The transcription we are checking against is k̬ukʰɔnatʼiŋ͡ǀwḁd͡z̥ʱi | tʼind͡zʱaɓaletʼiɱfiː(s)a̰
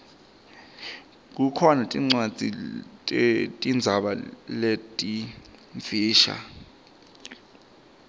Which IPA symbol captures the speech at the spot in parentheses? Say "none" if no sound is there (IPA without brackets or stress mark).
ʃ